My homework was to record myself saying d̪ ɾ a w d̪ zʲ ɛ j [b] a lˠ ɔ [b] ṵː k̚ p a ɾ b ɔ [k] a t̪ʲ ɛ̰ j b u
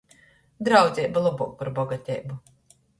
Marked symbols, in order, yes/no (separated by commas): yes, yes, no